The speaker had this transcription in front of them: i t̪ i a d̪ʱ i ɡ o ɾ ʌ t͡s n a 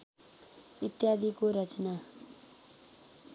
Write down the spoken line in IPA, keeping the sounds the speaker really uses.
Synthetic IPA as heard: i t̪ j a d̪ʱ i k o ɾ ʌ t͡s n a